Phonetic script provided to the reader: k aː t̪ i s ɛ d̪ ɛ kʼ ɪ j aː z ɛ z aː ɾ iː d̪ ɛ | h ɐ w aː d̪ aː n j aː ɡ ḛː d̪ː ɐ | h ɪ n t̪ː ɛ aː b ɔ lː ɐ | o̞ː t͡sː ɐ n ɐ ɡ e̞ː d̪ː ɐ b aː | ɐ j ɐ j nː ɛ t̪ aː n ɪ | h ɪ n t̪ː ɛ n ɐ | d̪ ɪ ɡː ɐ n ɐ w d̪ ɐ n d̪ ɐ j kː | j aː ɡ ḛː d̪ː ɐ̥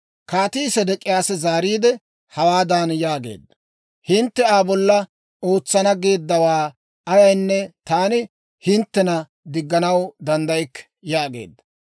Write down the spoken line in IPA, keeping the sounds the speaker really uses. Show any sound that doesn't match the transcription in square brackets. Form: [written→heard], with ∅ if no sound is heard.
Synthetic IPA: k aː t̪ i s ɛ d̪ ɛ kʼ ɪ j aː [z→s] ɛ z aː ɾ iː d̪ ɛ | h ɐ w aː d̪ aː n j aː ɡ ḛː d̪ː ɐ | h ɪ n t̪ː ɛ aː b ɔ lː ɐ | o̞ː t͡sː ɐ n ɐ ɡ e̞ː d̪ː ɐ [b→w] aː | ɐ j ɐ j nː ɛ t̪ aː n ɪ | h ɪ n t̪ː ɛ n ɐ | d̪ ɪ ɡː ɐ n ɐ w d̪ ɐ n d̪ ɐ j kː | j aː ɡ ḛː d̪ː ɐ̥